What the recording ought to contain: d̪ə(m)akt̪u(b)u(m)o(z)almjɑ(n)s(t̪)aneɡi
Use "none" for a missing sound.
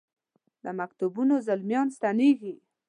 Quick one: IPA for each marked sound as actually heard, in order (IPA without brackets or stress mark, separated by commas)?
m, b, n, z, n, t̪